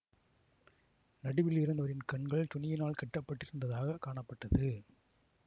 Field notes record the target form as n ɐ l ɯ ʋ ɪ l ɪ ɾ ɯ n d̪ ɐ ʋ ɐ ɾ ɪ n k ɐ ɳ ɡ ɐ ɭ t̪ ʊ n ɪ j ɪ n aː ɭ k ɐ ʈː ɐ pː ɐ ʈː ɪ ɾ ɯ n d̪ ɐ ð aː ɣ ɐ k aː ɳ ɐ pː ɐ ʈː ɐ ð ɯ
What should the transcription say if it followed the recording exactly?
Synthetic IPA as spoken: n ɐ ɽ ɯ ʋ ɪ l ɪ ɾ ɯ n d̪ ɐ ʋ ɐ ɾ ɪ n k ɐ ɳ ɡ ɐ ɭ t̪ ʊ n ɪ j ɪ n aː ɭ k ɐ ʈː ɐ pː ɐ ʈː ɪ ɾ ɯ n d̪ ɐ ð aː ɣ ɐ k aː ɳ ɐ pː ɐ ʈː ɐ ð ɯ